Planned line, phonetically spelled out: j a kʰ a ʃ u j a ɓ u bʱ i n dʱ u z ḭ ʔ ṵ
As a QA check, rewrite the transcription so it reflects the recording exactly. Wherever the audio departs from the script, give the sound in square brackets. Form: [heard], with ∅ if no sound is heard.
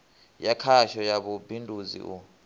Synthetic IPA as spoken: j a kʰ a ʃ [ɔ] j a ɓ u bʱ i n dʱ u z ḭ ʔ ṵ